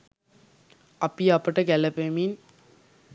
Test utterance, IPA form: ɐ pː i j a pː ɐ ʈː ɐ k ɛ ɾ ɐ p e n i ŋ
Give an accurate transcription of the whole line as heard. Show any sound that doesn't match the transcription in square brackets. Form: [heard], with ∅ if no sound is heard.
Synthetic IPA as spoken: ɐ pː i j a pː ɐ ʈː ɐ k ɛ [l] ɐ p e [m] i [n]